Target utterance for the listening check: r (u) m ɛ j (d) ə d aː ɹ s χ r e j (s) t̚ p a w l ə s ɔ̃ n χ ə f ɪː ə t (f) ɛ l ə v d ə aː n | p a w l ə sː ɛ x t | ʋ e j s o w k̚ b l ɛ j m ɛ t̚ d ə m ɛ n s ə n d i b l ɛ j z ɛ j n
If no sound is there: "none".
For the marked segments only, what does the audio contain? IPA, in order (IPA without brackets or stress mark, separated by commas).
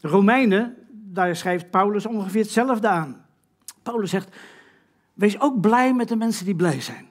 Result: o, n, f, s